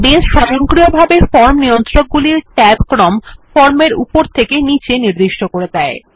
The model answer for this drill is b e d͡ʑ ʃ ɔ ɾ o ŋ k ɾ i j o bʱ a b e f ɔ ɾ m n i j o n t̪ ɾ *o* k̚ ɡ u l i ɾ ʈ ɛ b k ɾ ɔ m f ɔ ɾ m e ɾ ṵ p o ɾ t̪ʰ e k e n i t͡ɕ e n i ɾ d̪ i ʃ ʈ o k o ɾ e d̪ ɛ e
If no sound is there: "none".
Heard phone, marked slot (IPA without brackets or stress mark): o